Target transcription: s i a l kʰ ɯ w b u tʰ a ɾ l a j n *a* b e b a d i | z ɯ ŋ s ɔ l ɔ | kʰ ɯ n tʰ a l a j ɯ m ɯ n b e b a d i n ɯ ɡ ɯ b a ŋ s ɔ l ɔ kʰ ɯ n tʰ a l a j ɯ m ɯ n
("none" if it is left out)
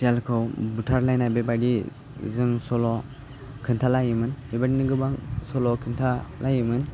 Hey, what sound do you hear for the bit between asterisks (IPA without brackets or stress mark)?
a